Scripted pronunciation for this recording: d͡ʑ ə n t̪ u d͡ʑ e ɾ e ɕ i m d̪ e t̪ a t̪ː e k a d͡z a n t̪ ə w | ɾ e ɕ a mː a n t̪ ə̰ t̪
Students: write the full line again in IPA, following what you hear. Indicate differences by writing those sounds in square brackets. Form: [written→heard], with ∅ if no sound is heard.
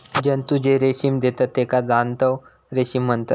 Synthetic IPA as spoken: d͡ʑ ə n t̪ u d͡ʑ e ɾ e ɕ i m d̪ e t̪ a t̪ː e k a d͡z a n t̪ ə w | ɾ e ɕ [a→i] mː [a→ə] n t̪ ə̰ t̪